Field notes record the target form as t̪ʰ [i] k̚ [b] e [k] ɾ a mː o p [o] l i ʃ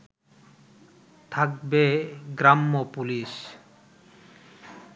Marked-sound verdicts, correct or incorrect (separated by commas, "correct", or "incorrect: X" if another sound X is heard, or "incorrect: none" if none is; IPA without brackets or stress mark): incorrect: a, correct, incorrect: ɡ, incorrect: u